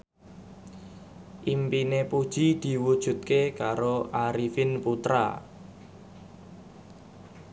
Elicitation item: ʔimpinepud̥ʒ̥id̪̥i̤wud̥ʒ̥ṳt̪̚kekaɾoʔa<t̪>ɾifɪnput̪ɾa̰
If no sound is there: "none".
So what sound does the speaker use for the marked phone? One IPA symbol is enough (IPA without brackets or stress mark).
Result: none